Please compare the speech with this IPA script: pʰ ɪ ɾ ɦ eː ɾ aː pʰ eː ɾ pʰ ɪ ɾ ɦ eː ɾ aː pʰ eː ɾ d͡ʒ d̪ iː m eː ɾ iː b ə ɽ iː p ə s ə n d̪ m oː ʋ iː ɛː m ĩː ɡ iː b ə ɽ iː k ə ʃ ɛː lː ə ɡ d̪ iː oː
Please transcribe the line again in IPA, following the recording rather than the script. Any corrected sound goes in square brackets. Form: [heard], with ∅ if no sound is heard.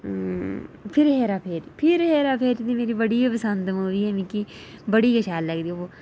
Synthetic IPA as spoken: pʰ ɪ ɾ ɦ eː ɾ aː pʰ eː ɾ pʰ ɪ ɾ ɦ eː ɾ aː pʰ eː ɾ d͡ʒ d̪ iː m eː ɾ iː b ə ɽ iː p ə s ə n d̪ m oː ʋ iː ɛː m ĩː [k] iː b ə ɽ iː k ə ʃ [aː] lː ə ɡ d̪ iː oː